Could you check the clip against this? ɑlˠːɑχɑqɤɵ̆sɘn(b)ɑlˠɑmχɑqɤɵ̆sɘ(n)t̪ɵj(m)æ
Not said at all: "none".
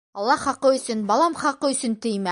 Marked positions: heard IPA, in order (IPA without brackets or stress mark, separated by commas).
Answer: b, n, m